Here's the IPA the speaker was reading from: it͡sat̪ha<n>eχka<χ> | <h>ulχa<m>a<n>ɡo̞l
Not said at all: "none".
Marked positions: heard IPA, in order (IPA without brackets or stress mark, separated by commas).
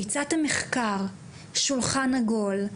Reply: m, ʁ, ʃ, n, none